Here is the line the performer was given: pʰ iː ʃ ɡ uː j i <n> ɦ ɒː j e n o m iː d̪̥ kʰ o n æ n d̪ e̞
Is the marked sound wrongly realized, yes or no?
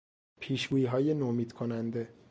yes